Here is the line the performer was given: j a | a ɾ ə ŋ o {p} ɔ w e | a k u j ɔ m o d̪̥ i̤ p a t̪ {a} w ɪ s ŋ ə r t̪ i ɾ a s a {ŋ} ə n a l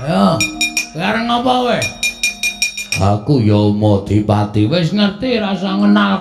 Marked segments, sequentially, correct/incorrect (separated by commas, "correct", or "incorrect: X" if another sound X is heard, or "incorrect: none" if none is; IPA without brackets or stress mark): correct, incorrect: i, correct